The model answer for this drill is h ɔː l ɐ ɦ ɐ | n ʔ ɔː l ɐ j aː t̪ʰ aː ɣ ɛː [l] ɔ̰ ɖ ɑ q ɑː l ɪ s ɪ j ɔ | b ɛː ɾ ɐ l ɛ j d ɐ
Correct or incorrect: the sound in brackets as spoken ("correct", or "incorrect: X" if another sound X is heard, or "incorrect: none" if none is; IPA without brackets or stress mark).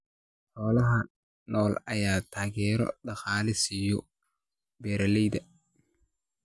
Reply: incorrect: ɾ